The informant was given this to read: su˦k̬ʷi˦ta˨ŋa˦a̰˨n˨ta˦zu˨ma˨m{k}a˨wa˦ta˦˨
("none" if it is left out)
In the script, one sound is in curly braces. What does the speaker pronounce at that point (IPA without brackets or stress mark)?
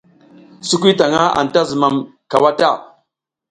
k